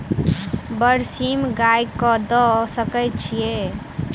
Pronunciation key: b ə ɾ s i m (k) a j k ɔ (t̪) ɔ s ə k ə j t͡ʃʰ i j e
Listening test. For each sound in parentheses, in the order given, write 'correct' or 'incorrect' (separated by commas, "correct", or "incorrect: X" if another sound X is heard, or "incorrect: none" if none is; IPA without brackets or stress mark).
incorrect: ɡ, incorrect: d̪